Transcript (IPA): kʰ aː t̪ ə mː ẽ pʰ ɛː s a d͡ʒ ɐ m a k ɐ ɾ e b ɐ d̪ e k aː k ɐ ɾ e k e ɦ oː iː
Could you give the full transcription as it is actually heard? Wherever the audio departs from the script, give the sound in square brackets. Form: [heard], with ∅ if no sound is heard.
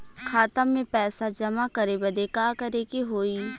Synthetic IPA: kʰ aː t̪ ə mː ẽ [p] ɛː s a d͡ʒ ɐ m a k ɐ ɾ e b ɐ d̪ e k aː k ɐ ɾ e k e ɦ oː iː